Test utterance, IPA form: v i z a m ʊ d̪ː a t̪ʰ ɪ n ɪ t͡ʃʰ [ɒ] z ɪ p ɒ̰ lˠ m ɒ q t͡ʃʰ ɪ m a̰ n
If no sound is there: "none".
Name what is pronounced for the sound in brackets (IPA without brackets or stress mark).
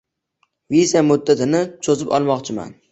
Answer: o